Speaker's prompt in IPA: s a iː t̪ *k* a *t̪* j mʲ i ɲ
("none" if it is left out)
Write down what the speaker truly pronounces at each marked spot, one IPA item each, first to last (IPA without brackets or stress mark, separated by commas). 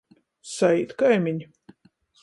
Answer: k, none